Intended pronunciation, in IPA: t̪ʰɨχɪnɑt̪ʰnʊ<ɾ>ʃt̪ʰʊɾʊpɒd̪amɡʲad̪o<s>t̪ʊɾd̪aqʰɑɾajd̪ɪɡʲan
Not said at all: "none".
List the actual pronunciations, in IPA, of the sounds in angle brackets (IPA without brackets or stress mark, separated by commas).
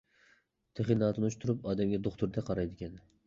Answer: none, χ